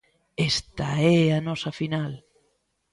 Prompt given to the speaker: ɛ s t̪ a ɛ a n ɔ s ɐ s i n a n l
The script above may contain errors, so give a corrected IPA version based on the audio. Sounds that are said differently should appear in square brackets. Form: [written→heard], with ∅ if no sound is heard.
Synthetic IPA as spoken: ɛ s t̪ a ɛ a n ɔ s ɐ [s→f] i n a [n→∅] l